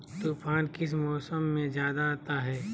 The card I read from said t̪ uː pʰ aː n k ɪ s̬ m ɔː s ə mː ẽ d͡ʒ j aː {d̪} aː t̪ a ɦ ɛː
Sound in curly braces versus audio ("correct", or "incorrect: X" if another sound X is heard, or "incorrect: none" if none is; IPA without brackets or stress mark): correct